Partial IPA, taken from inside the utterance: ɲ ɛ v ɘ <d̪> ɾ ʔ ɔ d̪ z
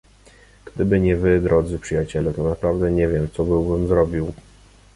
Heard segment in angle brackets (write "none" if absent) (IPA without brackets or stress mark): d̪